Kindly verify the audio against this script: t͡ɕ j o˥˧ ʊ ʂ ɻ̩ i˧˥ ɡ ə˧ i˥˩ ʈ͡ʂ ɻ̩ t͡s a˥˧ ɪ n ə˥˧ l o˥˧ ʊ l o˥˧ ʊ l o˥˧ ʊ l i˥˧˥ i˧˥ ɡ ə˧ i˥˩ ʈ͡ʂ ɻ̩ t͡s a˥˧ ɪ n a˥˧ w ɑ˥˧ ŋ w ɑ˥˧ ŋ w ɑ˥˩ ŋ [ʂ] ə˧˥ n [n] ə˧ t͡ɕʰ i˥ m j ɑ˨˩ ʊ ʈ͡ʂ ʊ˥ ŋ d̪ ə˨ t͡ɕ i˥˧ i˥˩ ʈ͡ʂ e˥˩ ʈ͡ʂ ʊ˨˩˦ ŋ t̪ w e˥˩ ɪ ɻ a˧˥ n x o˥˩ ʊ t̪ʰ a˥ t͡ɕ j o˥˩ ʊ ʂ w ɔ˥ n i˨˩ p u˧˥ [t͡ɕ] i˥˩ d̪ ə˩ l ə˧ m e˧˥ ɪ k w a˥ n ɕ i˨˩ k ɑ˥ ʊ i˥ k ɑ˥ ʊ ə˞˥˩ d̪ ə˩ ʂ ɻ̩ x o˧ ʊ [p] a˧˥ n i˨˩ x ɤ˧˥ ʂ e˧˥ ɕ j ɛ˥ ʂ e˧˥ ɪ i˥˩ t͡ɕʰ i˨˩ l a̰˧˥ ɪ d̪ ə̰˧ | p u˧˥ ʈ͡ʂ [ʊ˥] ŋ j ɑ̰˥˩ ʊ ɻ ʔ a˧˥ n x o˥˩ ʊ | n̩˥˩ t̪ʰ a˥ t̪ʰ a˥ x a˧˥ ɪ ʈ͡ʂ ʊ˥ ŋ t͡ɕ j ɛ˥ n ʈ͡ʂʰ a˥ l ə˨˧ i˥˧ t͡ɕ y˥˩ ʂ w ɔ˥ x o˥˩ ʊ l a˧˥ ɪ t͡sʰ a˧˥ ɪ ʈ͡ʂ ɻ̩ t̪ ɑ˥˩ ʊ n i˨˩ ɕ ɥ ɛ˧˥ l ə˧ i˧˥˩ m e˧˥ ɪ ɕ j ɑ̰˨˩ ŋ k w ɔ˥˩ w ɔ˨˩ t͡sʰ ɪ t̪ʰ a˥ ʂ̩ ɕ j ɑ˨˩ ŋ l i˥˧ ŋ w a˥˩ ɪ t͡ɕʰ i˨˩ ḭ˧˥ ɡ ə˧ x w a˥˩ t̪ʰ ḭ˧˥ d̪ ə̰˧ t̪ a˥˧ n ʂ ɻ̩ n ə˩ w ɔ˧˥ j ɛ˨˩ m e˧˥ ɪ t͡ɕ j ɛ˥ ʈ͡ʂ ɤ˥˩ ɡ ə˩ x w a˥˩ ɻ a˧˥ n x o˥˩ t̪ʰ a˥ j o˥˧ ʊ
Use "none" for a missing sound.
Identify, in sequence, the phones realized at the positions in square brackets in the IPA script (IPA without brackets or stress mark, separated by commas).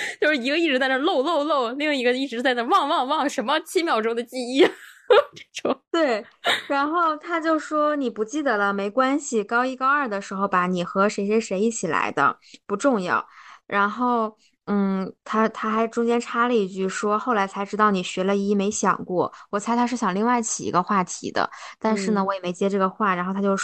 ʂ, m, t͡ɕ, p, ʊ˥˧